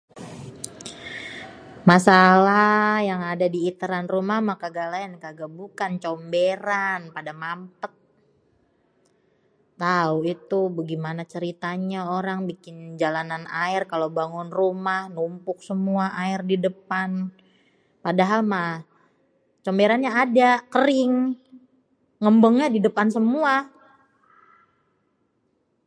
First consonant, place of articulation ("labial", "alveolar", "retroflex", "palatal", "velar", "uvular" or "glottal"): labial